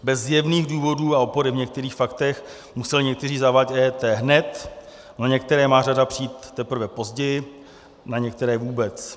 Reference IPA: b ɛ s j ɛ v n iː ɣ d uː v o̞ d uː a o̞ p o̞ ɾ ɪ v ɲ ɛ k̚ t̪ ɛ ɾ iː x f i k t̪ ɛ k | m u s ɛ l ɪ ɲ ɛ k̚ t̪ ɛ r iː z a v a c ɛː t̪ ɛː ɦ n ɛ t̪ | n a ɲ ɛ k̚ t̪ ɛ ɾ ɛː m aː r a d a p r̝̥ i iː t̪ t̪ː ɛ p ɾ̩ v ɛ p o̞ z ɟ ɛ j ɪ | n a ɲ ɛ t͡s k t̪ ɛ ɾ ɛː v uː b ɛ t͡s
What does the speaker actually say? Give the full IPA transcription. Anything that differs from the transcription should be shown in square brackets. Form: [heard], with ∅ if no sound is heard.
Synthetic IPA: b ɛ [z] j ɛ v n iː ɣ d uː v o̞ d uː a o̞ p o̞ ɾ ɪ v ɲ ɛ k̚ t̪ ɛ ɾ iː x f [a] k t̪ ɛ [x] | m u s ɛ l ɪ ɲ ɛ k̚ t̪ ɛ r iː z a v a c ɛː t̪ ɛː ɦ n ɛ t̪ | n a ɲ ɛ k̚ t̪ ɛ ɾ ɛː m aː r a d a p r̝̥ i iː t̪ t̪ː ɛ p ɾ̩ v ɛ p o̞ z ɟ ɛ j ɪ | n a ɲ ɛ [∅] k t̪ ɛ ɾ ɛː v uː b ɛ t͡s

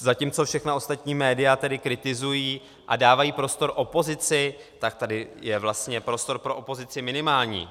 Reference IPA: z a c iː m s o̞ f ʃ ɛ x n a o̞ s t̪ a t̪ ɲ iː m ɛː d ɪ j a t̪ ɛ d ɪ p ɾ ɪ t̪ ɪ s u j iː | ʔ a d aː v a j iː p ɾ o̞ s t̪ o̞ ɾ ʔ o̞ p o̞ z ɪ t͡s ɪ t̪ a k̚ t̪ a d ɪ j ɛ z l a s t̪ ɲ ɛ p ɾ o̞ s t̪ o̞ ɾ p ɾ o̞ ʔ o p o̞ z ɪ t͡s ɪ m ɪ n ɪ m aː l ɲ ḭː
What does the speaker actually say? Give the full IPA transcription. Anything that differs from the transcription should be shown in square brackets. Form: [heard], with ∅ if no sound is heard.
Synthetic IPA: z a c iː m [t͡s] o̞ f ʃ ɛ x n a o̞ s t̪ a t̪ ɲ iː m ɛː d ɪ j a t̪ ɛ d ɪ [k] ɾ ɪ t̪ ɪ [z] u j iː | ʔ a d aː v a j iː p ɾ o̞ s t̪ o̞ ɾ ʔ o̞ p o̞ z ɪ t͡s ɪ t̪ a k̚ t̪ a d ɪ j ɛ [v] l a s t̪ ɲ ɛ p ɾ o̞ s t̪ o̞ ɾ p ɾ o̞ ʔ o p o̞ z ɪ t͡s ɪ m ɪ n ɪ m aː l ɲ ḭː

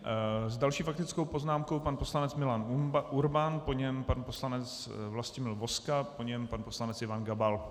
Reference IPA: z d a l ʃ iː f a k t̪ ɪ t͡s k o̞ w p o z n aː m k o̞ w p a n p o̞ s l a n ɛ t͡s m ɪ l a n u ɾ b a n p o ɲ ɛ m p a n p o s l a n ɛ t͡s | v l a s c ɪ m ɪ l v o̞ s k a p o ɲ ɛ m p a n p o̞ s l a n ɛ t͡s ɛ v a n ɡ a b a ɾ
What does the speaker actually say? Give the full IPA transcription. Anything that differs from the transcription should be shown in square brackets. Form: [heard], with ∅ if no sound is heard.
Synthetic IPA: z d a l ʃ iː f a k t̪ ɪ t͡s k o̞ w p o z n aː m k o̞ w p a n p o̞ s l a n ɛ t͡s m ɪ l a n u ɾ b a n p o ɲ ɛ m p a n p o s l a n ɛ t͡s | v l a s c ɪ m ɪ l v o̞ s k a p o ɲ ɛ m p a n p o̞ s l a n ɛ t͡s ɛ v a n ɡ a b a [l]

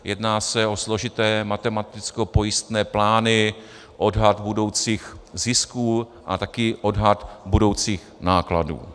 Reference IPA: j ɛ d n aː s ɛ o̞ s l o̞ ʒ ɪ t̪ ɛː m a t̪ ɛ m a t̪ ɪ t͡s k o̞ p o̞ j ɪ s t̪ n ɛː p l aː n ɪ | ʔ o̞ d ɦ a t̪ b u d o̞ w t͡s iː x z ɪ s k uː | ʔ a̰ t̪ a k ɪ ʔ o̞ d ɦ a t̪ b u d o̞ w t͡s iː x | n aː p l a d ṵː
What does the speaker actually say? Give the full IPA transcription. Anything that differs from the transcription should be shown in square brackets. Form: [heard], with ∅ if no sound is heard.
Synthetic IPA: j ɛ d n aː s ɛ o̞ s l o̞ ʒ ɪ t̪ ɛː m a t̪ ɛ m a t̪ ɪ t͡s k o̞ p o̞ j ɪ s t̪ n ɛː p l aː n ɪ | ʔ o̞ d ɦ a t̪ b u d o̞ w t͡s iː x z ɪ s k uː | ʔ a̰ t̪ a k ɪ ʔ o̞ d ɦ a t̪ b u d o̞ w t͡s iː x | n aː [k] l a d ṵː

